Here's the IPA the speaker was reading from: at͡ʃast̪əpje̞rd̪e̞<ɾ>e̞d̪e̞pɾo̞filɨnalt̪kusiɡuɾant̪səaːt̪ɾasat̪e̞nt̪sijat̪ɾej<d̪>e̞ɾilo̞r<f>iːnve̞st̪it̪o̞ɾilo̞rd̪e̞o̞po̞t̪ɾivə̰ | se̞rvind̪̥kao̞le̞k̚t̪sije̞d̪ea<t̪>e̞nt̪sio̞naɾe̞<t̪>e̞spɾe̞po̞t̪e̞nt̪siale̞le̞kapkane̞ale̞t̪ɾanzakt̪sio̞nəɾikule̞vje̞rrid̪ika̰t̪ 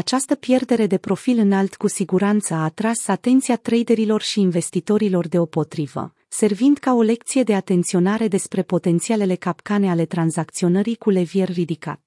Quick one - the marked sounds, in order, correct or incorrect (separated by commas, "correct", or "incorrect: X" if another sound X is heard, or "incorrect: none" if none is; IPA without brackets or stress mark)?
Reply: correct, correct, incorrect: ʃ, correct, incorrect: d̪